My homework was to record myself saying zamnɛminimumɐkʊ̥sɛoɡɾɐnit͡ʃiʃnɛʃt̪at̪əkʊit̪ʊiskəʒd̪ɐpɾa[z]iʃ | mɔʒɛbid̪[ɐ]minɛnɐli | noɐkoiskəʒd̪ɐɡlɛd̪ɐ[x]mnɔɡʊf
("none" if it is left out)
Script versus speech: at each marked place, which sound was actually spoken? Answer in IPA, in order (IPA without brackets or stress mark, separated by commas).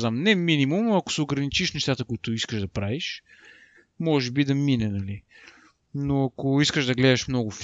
v, ɐ, ʃ